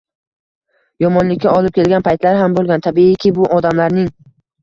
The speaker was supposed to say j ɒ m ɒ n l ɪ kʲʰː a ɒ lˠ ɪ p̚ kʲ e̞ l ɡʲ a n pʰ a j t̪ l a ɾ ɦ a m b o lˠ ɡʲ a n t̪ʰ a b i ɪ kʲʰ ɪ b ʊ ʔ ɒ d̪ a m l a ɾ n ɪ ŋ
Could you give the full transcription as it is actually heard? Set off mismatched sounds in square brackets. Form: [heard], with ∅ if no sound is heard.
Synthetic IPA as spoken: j ɒ m ɒ n l ɪ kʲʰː a ɒ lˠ ɪ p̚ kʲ e̞ l ɡʲ a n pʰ a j t̪ l a ɾ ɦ a m b o lˠ ɡʲ a n t̪ʰ a b i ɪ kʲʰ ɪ b ʊ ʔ ɒ d̪ a m l a ɾ n ɪ ŋ